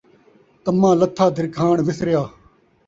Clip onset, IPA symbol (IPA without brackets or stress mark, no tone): t̪